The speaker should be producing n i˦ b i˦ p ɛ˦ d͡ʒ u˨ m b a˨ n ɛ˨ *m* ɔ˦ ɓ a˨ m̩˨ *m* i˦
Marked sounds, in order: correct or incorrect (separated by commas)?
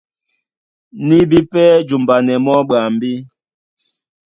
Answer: correct, incorrect